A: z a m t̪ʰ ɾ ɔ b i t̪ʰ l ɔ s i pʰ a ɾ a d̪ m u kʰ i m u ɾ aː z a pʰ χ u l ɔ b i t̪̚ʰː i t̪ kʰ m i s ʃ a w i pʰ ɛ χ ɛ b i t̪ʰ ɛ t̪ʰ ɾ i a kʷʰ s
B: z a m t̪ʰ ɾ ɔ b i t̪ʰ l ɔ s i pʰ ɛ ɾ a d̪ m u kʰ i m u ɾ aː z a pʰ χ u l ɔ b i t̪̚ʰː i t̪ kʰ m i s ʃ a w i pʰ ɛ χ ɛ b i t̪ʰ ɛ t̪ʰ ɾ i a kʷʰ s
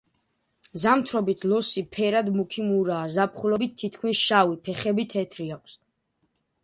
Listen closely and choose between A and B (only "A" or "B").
B